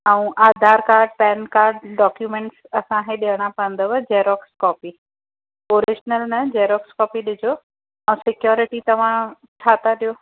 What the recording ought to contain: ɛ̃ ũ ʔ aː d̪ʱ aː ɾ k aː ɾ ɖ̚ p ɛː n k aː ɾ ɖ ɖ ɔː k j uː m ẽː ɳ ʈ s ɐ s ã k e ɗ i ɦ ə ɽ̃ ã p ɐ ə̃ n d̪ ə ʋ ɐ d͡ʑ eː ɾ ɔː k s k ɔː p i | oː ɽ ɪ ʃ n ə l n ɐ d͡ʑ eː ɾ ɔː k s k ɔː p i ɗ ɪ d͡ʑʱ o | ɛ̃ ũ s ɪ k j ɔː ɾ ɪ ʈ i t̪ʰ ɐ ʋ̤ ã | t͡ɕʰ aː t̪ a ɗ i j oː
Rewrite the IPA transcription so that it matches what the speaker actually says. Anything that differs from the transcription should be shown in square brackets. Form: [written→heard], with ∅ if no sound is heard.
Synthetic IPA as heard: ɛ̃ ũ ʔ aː d̪ʱ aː ɾ k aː ɾ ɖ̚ p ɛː n k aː ɾ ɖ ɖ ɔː k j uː m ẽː ɳ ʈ s ɐ s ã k e ɗ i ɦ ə ɽ̃ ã p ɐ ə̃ n d̪ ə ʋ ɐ d͡ʑ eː ɾ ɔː k s k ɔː p i | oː [ɽ→ɾ] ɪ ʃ n ə l n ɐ d͡ʑ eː ɾ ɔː k s k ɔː p i ɗ ɪ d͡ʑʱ o | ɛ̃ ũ s ɪ k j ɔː ɾ ɪ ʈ i [t̪ʰ→t̪] ɐ ʋ̤ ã | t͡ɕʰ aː t̪ a ɗ i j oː

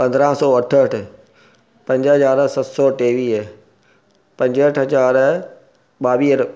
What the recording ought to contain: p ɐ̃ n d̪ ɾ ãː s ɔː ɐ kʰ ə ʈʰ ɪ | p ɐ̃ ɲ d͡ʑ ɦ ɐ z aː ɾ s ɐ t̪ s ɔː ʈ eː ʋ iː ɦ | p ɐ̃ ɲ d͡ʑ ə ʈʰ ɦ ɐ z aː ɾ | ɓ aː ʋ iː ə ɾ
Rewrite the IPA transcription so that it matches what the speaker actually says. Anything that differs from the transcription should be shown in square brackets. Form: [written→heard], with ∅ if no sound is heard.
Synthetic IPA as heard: p ɐ̃ n d̪ ɾ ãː s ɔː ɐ [kʰ→ʈʰ] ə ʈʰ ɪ | p ɐ̃ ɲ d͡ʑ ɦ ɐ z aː ɾ s ɐ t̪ s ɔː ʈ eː ʋ iː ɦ | p ɐ̃ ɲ d͡ʑ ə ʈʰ ɦ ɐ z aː ɾ | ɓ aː ʋ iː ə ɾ

